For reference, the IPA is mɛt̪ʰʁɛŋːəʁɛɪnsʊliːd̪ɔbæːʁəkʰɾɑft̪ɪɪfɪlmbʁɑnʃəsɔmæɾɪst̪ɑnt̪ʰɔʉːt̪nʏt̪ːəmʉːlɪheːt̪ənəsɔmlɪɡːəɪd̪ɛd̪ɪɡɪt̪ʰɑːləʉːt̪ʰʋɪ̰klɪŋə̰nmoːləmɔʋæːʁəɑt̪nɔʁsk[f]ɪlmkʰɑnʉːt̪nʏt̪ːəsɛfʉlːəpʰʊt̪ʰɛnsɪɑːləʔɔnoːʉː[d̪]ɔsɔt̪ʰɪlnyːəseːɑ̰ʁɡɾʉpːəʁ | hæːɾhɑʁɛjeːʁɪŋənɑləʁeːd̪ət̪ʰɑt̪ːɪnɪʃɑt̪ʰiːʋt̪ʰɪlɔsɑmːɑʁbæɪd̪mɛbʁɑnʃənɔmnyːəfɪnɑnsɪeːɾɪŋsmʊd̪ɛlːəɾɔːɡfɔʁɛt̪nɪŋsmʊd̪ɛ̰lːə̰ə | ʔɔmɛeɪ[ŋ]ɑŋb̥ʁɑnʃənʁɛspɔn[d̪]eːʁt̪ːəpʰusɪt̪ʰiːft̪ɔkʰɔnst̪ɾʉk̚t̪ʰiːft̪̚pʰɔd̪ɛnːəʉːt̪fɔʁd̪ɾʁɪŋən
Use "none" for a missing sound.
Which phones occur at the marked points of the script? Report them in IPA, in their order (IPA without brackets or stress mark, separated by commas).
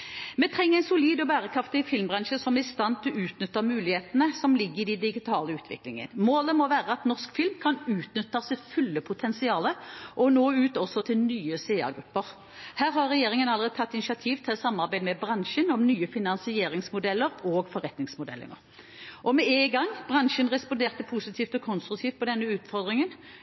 f, t̪, ɡ, d̪